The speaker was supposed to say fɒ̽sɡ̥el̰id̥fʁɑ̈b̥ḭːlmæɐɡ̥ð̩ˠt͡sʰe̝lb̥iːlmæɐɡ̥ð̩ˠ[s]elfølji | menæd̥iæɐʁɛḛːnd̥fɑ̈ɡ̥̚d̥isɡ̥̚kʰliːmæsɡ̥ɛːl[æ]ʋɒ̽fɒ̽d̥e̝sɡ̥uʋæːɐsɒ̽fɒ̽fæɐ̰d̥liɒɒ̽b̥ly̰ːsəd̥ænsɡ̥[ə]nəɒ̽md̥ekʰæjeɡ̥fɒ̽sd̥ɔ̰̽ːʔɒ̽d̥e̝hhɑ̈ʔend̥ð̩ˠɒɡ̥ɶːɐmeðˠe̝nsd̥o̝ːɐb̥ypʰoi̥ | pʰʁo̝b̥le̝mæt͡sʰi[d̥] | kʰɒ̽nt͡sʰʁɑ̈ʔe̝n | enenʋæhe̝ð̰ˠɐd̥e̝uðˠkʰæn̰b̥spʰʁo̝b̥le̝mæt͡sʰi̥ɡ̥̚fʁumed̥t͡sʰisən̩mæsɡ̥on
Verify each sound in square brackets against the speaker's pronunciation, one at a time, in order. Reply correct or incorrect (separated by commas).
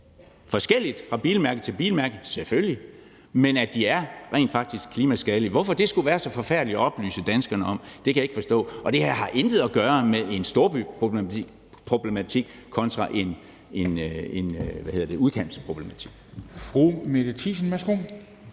correct, incorrect, incorrect, incorrect